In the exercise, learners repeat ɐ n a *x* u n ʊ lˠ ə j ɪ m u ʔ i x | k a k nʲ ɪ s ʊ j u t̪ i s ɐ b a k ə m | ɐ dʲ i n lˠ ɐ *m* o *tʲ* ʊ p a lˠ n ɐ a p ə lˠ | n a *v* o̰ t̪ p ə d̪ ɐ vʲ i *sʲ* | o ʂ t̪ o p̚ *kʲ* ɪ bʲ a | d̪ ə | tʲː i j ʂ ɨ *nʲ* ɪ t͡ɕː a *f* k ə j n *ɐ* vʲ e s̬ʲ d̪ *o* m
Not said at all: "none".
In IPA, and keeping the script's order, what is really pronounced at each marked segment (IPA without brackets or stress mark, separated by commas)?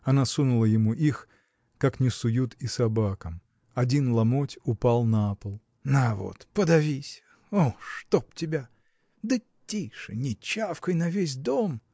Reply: s, m, tʲ, v, sʲ, tʲ, nʲ, f, ɐ, o